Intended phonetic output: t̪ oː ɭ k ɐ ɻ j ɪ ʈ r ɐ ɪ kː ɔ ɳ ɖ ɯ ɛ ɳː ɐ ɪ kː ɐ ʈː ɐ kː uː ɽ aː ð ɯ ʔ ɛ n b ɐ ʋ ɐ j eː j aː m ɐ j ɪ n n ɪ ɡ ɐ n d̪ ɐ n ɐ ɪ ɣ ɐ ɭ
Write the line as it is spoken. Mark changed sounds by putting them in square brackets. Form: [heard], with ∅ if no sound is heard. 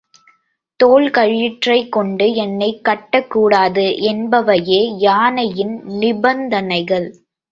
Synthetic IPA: t̪ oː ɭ k ɐ ɻ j ɪ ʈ r ɐ ɪ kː ɔ ɳ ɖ ɯ ɛ [nː] ɐ ɪ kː ɐ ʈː ɐ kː uː ɽ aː ð ɯ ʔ ɛ n b ɐ ʋ ɐ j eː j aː [n] ɐ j ɪ n n ɪ [b] ɐ n d̪ ɐ n ɐ ɪ ɣ ɐ ɭ